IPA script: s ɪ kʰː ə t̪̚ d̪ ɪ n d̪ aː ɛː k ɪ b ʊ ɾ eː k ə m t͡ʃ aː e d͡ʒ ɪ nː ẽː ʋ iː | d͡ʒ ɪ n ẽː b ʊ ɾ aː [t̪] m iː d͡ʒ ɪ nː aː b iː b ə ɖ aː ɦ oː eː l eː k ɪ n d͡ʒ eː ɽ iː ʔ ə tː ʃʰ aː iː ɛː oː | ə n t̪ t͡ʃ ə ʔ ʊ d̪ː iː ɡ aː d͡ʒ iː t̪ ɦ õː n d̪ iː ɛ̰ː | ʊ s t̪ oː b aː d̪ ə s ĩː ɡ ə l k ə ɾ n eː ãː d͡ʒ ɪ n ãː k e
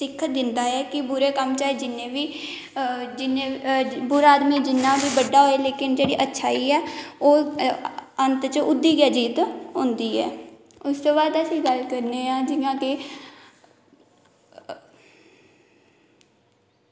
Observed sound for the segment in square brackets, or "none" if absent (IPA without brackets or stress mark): d̪